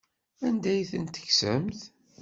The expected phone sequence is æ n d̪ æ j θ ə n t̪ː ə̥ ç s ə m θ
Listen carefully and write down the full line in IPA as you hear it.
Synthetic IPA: æ n d̪ æ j θ ə n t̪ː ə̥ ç s ə m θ